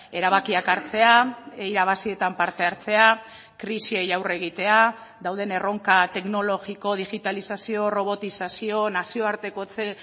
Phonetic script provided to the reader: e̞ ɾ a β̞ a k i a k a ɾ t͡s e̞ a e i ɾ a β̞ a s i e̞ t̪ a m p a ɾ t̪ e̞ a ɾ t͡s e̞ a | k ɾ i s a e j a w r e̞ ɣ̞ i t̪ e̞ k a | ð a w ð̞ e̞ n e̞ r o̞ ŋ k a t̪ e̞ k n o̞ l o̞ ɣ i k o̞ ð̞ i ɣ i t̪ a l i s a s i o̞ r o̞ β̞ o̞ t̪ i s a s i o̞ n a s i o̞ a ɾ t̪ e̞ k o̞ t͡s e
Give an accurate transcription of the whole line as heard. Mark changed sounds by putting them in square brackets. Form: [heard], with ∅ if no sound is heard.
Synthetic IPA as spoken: e̞ ɾ a β̞ a k i a k a ɾ t͡s e̞ a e i ɾ a β̞ a s i e̞ t̪ a m p a ɾ t̪ e̞ a ɾ t͡s e̞ a | k ɾ i s [i] e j a w r e̞ ɣ̞ i t̪ e̞ [∅] a | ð a w ð̞ e̞ n e̞ r o̞ ŋ k a t̪ e̞ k n o̞ l o̞ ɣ i k o̞ ð̞ i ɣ i t̪ a l i s a s i o̞ r o̞ β̞ o̞ t̪ i s a s i o̞ n a s i o̞ a ɾ t̪ e̞ k o̞ t͡s e